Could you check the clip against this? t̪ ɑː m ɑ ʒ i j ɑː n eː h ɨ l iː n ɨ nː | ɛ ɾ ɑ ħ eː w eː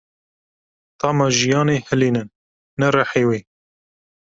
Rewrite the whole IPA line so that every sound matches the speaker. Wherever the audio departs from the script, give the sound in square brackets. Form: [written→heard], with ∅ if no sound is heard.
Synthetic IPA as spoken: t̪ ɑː m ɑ ʒ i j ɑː n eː h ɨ l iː n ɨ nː | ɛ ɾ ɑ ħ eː w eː